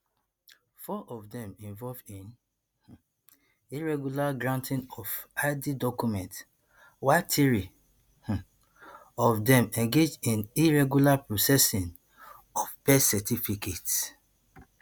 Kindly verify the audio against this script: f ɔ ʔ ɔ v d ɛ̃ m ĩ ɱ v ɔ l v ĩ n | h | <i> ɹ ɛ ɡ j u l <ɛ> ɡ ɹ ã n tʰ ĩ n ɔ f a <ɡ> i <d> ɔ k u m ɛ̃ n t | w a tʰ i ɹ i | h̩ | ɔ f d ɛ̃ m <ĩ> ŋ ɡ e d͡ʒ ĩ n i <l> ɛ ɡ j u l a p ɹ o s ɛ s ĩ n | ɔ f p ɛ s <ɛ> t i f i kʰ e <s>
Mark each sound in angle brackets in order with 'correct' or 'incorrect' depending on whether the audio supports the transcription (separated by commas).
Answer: correct, incorrect, incorrect, correct, incorrect, incorrect, correct, incorrect